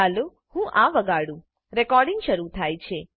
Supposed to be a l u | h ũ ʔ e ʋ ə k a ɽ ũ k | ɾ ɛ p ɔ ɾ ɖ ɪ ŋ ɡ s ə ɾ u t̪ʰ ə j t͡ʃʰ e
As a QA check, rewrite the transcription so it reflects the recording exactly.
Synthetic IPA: a l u | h ũ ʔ a ʋ ə ɡ a ɽ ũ | ɾ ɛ k ɔ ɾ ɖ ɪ ŋ ɡ ʃ ə ɾ u t̪ʰ a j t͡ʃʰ e